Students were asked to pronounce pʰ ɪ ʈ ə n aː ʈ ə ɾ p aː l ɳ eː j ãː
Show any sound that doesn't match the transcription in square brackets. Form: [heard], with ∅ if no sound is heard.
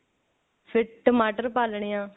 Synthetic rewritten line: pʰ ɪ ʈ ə [m] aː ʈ ə ɾ p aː l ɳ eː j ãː